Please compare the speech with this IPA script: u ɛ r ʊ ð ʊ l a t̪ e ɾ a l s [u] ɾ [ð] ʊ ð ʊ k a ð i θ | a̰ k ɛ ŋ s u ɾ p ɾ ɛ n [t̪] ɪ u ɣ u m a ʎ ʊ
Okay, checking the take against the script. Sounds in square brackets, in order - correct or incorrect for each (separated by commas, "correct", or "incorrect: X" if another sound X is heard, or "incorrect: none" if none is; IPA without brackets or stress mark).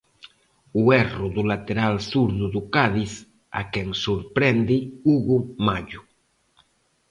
correct, correct, incorrect: d̪